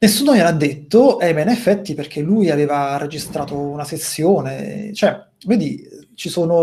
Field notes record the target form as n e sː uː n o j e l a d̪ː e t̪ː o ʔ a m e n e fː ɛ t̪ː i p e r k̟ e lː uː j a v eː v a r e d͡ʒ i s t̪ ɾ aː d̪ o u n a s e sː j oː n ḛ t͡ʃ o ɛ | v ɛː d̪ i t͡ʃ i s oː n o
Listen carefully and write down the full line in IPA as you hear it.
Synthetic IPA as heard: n e sː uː n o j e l a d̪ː e t̪ː o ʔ ɛ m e n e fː ɛ t̪ː i p e r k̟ e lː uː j a v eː v a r e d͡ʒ i s t̪ ɾ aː t̪ o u n a s e sː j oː n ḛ t͡ʃ o ɛ | v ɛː d̪ i t͡ʃ i s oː n o